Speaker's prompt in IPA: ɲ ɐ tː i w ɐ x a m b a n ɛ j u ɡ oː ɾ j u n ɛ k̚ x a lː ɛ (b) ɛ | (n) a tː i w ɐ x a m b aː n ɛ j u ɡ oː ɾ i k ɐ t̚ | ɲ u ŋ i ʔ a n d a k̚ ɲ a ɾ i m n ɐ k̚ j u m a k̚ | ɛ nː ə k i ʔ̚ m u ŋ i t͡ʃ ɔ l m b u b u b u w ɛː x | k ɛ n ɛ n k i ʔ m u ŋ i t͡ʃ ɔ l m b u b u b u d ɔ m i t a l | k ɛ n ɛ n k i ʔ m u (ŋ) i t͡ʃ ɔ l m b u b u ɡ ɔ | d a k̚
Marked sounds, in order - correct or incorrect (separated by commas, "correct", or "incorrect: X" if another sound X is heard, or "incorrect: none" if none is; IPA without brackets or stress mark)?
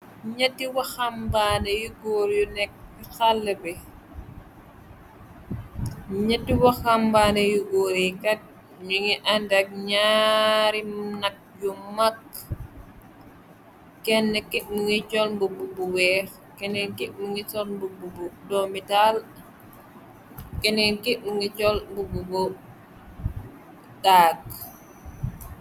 correct, incorrect: ɲ, correct